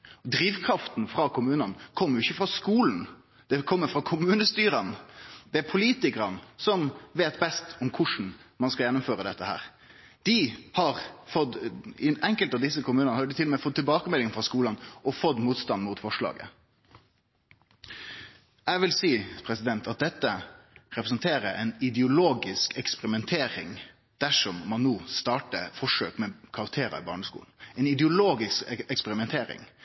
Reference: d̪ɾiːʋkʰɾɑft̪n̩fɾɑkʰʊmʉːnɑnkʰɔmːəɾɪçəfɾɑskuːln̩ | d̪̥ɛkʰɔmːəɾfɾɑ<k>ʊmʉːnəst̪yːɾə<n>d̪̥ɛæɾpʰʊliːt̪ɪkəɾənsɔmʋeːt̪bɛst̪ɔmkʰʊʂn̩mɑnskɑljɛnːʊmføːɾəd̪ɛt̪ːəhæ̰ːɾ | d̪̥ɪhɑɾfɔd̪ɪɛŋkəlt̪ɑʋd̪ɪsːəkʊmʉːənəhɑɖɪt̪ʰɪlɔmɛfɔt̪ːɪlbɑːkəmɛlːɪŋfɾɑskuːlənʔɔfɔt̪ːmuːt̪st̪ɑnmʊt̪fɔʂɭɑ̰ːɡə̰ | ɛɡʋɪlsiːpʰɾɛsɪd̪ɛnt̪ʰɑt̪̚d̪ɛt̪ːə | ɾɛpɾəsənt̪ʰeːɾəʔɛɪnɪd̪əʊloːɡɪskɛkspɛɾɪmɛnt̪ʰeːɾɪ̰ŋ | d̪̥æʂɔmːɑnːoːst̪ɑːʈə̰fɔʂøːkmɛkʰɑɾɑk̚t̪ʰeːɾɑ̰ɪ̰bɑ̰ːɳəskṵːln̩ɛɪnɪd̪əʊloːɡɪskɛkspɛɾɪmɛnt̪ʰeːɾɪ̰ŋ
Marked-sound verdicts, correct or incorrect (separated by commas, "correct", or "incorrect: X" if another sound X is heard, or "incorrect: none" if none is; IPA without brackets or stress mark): incorrect: kʰ, correct